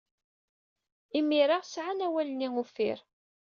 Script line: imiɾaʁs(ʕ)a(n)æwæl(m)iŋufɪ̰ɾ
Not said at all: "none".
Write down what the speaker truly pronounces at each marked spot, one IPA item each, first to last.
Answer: ʕ, n, n

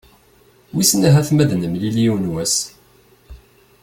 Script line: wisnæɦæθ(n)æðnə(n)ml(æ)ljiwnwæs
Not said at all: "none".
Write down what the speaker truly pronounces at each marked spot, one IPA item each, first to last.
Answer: m, none, i

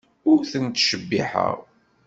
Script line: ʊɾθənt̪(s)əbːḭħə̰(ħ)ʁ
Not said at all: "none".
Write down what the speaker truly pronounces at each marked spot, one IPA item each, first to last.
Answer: ʃ, none

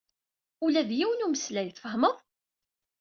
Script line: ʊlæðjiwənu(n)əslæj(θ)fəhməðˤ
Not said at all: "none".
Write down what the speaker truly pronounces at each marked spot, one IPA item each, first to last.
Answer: m, θ

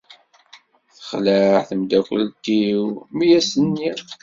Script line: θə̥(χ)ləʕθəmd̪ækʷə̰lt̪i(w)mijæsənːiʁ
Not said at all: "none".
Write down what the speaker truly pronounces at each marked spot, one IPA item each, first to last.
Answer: χ, w

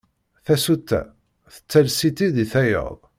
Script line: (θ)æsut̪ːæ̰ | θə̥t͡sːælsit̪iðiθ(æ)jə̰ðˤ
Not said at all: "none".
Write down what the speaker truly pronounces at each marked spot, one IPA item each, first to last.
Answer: θ, æ

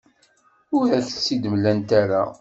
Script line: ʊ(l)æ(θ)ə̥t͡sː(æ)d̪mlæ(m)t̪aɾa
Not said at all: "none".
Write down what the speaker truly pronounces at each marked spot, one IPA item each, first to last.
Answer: ɾ, θ, i, n

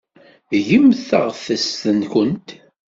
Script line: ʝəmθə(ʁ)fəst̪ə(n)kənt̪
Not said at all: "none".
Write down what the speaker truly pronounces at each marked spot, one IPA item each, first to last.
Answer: ʁ, n

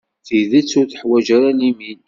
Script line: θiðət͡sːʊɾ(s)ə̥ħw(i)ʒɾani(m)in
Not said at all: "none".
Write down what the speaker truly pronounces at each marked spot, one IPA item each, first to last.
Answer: θ, æ, m

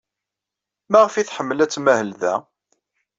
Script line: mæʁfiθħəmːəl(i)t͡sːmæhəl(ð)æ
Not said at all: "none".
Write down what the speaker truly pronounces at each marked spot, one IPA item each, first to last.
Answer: æ, ð

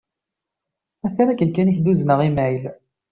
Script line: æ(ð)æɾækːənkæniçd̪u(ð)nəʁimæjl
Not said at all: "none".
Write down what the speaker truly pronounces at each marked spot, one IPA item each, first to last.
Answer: θ, z

